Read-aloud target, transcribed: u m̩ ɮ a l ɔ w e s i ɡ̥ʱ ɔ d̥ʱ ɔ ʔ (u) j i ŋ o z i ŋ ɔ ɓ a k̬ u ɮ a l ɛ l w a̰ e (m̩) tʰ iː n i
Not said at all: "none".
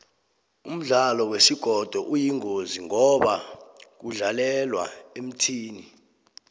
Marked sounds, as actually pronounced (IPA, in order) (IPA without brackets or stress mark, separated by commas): u, m̩